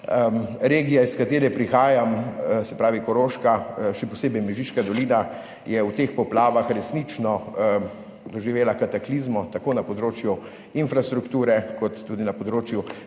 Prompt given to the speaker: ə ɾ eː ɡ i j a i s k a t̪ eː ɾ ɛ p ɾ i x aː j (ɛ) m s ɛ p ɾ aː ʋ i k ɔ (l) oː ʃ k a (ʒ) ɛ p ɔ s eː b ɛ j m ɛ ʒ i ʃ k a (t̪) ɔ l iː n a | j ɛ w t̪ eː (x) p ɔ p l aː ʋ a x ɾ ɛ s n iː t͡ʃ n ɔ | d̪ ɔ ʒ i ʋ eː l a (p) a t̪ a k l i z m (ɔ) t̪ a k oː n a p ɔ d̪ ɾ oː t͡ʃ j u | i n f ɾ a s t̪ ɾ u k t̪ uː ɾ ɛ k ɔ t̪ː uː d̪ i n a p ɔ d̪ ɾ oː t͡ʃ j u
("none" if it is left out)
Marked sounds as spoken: a, ɾ, ʃ, d̪, x, k, ɔ

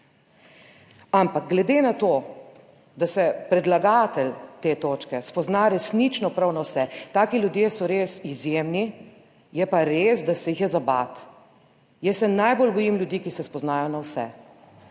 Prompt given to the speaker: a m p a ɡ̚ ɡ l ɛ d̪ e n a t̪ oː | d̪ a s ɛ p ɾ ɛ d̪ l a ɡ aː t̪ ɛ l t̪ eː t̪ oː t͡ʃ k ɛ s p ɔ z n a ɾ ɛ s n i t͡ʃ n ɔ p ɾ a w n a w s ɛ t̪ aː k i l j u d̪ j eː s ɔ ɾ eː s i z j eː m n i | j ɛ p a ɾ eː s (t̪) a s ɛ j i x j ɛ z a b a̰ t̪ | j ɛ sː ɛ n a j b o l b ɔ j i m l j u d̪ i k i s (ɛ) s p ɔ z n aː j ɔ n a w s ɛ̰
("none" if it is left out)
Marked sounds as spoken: d̪, ɛ

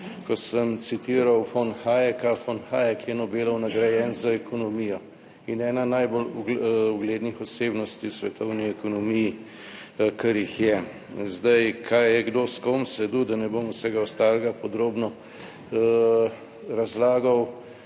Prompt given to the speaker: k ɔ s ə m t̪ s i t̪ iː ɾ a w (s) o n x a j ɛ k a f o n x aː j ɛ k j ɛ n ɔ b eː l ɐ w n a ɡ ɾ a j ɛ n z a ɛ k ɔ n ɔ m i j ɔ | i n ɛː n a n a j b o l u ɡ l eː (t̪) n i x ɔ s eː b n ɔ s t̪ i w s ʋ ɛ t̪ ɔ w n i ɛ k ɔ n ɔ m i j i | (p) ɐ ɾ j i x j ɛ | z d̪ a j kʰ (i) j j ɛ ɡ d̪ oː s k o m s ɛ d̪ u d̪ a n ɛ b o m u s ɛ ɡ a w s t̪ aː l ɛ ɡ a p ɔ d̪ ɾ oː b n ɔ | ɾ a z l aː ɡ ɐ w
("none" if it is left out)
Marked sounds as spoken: f, d̪, k, a

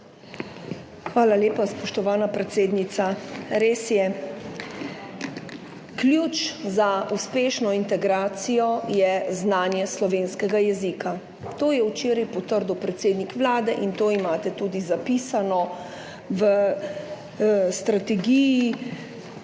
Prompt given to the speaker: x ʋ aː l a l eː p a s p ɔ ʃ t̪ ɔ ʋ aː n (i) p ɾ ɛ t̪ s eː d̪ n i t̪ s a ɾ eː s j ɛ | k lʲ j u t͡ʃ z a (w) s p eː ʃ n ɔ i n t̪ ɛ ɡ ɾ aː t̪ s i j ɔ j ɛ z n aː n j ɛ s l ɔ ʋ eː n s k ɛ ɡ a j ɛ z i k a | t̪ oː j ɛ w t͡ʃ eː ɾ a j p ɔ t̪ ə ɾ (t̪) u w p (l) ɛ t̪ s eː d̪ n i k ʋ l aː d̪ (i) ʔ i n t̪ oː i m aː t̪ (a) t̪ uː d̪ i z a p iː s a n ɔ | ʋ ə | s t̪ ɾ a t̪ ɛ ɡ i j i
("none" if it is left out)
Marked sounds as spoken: a, u, d̪, ɾ, ɛ, ɛ

